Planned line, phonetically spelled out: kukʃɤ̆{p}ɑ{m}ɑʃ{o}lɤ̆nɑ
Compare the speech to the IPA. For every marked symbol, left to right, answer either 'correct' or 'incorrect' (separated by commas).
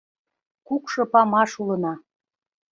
correct, correct, incorrect